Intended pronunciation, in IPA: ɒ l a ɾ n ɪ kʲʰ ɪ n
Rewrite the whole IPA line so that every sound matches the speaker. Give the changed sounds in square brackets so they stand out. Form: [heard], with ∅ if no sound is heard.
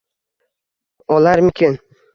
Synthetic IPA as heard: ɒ l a ɾ [m] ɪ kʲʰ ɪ n